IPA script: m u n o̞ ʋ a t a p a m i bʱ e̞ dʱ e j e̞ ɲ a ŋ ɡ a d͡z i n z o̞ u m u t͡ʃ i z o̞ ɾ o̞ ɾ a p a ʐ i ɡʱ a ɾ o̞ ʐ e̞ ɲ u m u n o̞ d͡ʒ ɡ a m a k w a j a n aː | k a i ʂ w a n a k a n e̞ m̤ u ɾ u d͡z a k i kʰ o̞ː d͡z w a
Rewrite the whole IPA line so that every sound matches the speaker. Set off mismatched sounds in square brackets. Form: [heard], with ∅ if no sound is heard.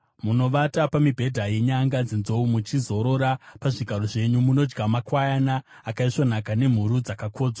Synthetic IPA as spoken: m u n o̞ ʋ a t a p a m i bʱ e̞ dʱ [a] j e̞ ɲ a ŋ ɡ a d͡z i n z o̞ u m u t͡ʃ i z o̞ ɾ o̞ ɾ a p a ʐ i ɡʱ a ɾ o̞ ʐ e̞ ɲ u m u n o̞ d͡ʒ ɡ a m a k w a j a n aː | k a i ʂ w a n a k a n e̞ m̤ u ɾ u d͡z a k [a] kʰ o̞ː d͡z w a